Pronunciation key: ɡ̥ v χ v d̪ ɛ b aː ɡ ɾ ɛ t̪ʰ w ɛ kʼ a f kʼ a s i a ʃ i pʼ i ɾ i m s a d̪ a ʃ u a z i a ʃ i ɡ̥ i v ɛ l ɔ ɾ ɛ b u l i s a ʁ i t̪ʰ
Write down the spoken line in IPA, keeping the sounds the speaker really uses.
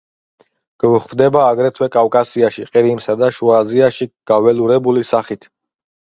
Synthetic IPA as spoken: ɡ̥ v χ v d̪ ɛ b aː ɡ ɾ ɛ t̪ʰ w ɛ kʼ a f kʼ a s i a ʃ i qʼ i ɾ i m s a d̪ a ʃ u a z i a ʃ i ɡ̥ a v ɛ l u ɾ ɛ b u l i s a χ i t̪ʰ